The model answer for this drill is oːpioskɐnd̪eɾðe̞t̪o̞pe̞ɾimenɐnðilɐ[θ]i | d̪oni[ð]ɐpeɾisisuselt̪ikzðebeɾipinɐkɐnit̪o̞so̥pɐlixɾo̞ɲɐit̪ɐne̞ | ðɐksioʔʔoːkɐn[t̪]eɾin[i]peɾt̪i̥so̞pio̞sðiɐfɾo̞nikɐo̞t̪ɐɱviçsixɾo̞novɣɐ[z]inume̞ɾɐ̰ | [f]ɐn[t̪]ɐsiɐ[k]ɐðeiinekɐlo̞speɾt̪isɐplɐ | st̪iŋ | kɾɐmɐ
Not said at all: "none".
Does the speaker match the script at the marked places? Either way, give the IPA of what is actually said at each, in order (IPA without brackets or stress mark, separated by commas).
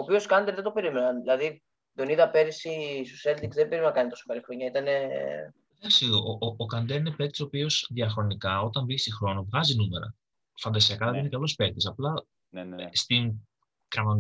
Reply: ð, ð, d̪, e, z, f, d̪, k